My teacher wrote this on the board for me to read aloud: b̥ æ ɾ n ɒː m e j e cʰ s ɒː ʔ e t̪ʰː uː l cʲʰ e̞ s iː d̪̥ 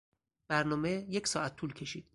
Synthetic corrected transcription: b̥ æ ɾ n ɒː m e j e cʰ s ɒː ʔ æ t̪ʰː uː l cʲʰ e̞ ʃ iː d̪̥